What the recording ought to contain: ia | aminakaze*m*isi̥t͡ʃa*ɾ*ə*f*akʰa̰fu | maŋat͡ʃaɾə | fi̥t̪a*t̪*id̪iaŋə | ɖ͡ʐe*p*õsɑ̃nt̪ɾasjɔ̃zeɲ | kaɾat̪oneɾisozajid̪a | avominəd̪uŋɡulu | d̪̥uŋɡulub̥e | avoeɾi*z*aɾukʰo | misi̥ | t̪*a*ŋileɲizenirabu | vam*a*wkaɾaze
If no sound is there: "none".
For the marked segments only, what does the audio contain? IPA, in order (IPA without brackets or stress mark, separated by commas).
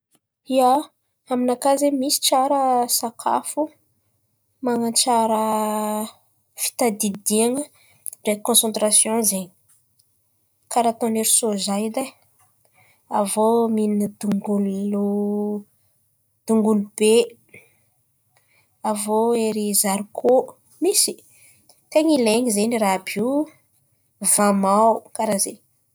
m, ɾ, s, d̪, k, z, e, a